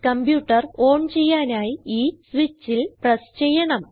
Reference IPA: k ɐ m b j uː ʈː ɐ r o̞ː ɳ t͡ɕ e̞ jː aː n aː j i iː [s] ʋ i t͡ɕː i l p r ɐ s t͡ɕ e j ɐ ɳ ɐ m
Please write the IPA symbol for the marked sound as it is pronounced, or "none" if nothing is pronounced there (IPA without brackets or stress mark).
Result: s